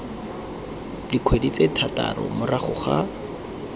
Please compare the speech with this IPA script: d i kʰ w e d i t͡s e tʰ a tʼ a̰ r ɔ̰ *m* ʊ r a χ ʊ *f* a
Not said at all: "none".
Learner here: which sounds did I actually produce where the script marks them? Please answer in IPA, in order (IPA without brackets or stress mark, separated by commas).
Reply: m, χ